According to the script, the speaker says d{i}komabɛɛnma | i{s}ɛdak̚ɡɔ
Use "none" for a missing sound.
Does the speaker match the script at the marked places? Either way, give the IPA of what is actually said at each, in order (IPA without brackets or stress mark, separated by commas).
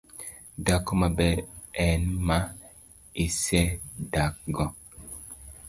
a, s